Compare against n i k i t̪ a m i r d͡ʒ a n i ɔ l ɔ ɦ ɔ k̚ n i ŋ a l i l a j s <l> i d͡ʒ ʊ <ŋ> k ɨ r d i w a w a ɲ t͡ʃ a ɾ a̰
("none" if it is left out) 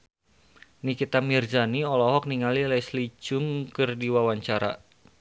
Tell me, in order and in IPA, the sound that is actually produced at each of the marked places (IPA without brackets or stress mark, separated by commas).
l, ŋ